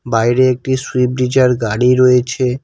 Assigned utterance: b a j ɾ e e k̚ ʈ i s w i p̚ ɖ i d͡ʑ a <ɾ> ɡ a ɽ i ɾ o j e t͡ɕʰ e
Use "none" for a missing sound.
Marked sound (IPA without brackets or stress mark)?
ɾ